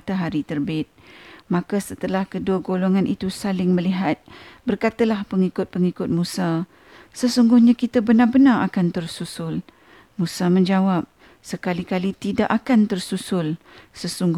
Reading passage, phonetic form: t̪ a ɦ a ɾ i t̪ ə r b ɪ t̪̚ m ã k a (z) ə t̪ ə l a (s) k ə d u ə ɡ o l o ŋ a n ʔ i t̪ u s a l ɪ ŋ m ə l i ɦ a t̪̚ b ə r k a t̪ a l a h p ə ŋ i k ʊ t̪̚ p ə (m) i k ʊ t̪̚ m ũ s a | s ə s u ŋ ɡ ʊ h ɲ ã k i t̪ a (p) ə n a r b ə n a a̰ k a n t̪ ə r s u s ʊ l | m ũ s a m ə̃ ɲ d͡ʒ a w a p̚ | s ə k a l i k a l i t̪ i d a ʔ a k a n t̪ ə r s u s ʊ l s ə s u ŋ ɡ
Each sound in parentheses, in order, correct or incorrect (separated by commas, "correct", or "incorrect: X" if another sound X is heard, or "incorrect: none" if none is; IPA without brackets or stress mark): incorrect: s, incorrect: h, incorrect: ŋ, incorrect: b